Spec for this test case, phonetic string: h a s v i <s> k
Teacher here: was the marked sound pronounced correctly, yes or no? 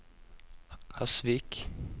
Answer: no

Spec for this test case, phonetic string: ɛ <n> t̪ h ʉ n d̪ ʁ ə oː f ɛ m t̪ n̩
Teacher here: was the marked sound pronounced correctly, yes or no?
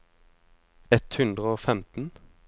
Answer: no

